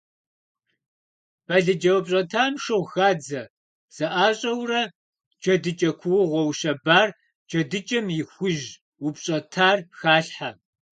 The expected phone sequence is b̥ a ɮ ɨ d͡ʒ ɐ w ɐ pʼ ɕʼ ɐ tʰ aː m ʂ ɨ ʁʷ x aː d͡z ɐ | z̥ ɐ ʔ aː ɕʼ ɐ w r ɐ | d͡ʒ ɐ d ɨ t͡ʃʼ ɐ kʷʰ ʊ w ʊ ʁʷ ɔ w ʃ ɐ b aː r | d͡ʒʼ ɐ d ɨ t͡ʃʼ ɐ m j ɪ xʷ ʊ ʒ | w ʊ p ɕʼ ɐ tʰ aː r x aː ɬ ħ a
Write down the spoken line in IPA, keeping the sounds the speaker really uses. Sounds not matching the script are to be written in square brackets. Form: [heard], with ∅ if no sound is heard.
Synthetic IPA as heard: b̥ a ɮ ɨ d͡ʒ ɐ w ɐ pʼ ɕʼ ɐ tʰ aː m ʂ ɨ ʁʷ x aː d͡z ɐ | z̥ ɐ ʔ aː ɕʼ ɐ w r ɐ | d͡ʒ ɐ d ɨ t͡ʃʼ ɐ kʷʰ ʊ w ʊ ʁʷ ɔ w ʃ ɐ b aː r | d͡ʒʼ ɐ d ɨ t͡ʃʼ ɐ m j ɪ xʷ ʊ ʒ | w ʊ p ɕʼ ɐ tʰ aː r x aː ɬ ħ a